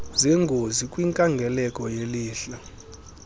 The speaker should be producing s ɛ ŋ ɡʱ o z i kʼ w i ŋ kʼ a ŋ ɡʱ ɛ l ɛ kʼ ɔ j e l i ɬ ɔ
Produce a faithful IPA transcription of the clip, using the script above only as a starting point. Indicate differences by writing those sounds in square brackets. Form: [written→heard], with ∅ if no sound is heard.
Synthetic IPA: [s→z] ɛ ŋ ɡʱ o z i kʼ w i ŋ kʼ a ŋ ɡʱ ɛ l ɛ kʼ ɔ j e l [i→iː] ɬ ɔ